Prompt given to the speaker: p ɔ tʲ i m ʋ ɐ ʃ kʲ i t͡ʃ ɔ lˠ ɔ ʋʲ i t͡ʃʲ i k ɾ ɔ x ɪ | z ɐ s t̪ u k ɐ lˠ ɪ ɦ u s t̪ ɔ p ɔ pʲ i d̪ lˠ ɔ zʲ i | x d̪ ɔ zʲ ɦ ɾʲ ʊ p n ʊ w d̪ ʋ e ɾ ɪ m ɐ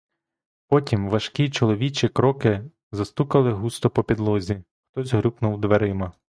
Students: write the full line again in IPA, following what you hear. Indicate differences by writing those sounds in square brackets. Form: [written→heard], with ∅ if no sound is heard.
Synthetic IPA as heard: p ɔ tʲ i m ʋ ɐ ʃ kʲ i t͡ʃ ɔ lˠ ɔ ʋʲ i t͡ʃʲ i k ɾ ɔ [x→k] ɪ | z ɐ s t̪ u k ɐ lˠ ɪ ɦ u s t̪ ɔ p ɔ pʲ i d̪ lˠ ɔ zʲ i | x [d̪→t̪] ɔ zʲ ɦ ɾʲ [ʊ→u] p n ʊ w d̪ ʋ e ɾ ɪ m ɐ